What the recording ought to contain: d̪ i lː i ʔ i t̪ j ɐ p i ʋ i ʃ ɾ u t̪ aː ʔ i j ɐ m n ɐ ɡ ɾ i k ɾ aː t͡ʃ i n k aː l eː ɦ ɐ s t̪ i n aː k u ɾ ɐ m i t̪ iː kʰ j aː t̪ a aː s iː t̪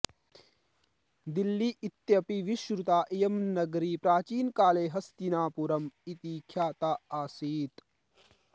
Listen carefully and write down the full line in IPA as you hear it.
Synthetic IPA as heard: d̪ i lː i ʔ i t̪ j ɐ p i ʋ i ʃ ɾ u t̪ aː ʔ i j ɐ m n ɐ ɡ ɾ i p ɾ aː t͡ʃ iː n k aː l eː ɦ ɐ s t̪ i n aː p u ɾ ɐ m i t̪ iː kʰ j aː t̪ a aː s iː t̪

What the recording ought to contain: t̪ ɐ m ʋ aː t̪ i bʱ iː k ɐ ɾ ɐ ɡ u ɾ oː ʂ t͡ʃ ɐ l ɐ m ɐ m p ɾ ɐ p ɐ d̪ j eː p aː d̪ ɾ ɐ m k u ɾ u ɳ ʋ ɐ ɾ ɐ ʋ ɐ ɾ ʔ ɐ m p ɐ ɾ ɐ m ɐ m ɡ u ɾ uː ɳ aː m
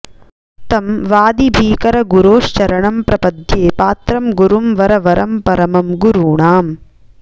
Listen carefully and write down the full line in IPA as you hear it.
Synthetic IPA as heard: t̪ ɐ m ʋ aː d̪ i bʱ iː k ɐ ɾ ɐ ɡ u ɾ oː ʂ t͡ʃ ɐ ɾ ɐ ɳ ɐ m p ɾ ɐ p ɐ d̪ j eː p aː t̪ ɾ ɐ m ɡ u ɾ u m ʋ ɐ ɾ ɐ ʋ ɐ ɾ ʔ ɐ m p ɐ ɾ ɐ m ɐ m ɡ u ɾ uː ɳ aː m

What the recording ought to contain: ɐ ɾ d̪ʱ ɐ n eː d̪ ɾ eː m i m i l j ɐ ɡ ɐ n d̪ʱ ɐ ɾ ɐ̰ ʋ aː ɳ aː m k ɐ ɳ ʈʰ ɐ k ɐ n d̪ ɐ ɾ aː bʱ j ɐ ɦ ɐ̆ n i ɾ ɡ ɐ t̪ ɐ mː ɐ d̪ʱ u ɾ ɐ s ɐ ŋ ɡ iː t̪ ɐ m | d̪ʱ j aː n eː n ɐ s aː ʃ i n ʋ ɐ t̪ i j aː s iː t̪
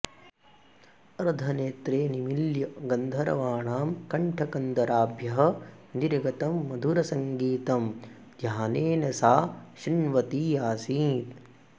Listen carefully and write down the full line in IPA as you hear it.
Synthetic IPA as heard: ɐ ɾ d̪ʱ ɐ n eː t̪ ɾ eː n i m i l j ɐ ɡ ɐ n d̪ʱ ɐ ɾ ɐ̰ ʋ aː ɳ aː m k ɐ ɳ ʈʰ ɐ k ɐ n d̪ ɐ ɾ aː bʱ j ɐ ɦ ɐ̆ n i ɾ ɡ ɐ t̪ ɐ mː ɐ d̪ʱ u ɾ ɐ s ɐ ŋ ɡ iː t̪ ɐ m | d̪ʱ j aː n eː n ɐ s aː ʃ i n ʋ ɐ t̪ i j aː s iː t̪

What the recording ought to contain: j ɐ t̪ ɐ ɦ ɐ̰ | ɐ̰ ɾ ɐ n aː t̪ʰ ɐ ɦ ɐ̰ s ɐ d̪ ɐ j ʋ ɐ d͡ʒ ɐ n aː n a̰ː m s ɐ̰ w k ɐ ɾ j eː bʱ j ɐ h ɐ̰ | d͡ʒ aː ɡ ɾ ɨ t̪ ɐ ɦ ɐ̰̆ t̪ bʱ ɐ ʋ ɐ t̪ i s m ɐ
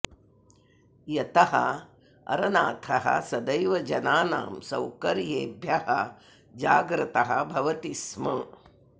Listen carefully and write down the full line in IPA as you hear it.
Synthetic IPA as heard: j ɐ t̪ ɐ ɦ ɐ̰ | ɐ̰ ɾ ɐ n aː t̪ʰ ɐ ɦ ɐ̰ s ɐ d̪ ɐ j ʋ ɐ d͡ʒ ɐ n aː n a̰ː m s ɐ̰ w k ɐ ɾ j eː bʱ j ɐ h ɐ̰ | d͡ʒ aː ɡ ɾ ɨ t̪ ɐ ɦ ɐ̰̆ bʱ ɐ ʋ ɐ t̪ i s m ɐ

